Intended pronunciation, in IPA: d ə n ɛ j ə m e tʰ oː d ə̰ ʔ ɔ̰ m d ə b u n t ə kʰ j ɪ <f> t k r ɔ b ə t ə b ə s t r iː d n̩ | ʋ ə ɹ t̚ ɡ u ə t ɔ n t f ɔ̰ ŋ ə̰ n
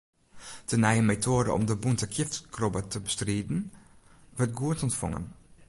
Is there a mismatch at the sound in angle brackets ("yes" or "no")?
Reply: no